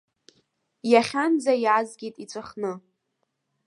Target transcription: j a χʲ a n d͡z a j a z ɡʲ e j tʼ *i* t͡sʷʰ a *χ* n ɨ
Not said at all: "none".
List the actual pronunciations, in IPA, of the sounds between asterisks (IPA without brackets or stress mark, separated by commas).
i, χ